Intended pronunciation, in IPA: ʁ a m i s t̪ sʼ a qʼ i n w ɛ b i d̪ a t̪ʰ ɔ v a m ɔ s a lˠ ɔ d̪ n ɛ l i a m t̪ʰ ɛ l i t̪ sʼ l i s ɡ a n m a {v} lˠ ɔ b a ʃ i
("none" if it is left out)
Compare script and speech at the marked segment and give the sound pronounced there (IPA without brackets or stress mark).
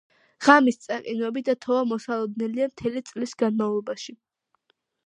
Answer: v